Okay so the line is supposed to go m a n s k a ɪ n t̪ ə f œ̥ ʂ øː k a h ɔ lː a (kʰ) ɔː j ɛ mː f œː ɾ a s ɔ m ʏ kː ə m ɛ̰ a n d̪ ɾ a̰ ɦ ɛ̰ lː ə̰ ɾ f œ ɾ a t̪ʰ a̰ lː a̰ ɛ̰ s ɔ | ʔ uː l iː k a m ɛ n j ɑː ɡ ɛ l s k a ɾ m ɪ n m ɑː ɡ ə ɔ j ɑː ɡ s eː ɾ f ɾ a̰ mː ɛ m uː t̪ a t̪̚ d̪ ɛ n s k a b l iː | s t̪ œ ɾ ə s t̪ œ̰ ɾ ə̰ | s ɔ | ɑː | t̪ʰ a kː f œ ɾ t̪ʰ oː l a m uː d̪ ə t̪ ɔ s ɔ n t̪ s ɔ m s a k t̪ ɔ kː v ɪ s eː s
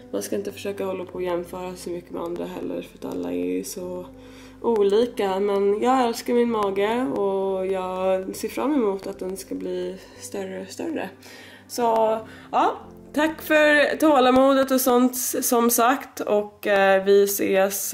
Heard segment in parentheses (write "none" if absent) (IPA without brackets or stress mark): pʰ